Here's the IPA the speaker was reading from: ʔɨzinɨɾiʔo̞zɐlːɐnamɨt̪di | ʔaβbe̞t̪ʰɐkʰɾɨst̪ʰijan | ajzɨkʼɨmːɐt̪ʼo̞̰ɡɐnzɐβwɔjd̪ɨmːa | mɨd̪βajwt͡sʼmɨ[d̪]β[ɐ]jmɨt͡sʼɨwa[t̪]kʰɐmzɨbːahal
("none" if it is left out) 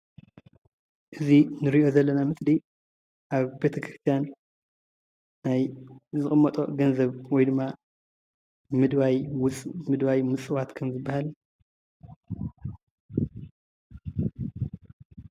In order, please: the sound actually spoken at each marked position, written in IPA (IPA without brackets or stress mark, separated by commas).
d̪, a, t̪